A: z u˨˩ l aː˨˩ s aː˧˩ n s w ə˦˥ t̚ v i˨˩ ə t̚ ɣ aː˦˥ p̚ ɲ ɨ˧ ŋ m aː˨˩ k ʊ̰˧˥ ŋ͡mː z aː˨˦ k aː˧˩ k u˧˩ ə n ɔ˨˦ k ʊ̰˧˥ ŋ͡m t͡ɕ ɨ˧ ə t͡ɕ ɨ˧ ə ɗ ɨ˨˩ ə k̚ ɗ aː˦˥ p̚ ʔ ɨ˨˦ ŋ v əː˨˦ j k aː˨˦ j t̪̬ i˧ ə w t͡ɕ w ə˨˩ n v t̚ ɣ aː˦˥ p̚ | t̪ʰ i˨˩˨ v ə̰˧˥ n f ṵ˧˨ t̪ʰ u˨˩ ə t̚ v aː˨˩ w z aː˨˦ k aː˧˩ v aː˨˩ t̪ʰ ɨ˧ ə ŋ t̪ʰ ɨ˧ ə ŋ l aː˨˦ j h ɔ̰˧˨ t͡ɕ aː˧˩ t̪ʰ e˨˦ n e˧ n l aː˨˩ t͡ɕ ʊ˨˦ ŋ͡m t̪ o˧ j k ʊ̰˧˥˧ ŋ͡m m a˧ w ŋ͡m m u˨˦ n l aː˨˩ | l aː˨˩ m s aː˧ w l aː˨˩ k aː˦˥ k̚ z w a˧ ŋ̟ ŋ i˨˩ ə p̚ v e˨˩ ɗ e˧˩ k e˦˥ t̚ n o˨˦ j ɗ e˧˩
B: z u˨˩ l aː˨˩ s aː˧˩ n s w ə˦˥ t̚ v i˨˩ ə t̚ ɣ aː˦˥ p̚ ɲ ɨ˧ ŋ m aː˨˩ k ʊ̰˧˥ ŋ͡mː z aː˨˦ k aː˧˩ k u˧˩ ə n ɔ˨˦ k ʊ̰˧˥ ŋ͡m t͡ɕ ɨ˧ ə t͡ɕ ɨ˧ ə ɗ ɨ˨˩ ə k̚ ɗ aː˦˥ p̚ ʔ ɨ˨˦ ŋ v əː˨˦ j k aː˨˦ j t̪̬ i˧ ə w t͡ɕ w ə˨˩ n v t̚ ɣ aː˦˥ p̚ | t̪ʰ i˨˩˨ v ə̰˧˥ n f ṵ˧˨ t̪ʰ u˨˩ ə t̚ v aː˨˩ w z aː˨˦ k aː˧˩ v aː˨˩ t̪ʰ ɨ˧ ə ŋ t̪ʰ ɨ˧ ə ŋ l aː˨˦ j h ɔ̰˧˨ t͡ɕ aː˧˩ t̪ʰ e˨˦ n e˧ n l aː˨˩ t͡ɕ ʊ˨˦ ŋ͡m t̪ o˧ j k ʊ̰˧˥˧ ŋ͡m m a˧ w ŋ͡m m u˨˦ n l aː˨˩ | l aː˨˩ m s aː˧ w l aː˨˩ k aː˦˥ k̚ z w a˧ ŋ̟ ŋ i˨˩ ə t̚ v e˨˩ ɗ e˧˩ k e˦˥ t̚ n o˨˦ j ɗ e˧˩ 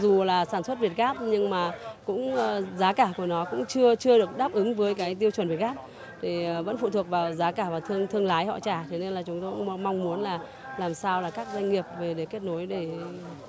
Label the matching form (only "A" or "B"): A